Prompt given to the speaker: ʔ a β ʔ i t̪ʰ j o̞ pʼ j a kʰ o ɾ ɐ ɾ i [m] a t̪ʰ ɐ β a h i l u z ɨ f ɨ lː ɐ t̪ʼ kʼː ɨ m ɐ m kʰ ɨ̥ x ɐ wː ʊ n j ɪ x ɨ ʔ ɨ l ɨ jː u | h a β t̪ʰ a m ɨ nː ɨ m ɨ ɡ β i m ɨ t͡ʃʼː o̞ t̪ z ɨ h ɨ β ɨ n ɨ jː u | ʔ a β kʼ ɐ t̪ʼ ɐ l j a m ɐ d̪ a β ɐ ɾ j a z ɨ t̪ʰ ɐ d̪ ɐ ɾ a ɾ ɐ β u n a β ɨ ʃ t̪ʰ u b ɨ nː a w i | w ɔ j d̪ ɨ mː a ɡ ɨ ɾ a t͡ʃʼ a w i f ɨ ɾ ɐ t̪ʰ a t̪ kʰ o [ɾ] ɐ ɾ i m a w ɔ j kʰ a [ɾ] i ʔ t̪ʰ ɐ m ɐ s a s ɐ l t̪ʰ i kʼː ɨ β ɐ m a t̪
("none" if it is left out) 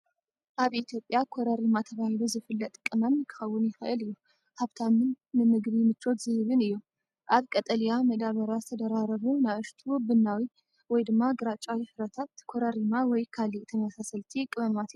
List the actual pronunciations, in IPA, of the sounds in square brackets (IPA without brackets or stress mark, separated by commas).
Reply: m, ɾ, l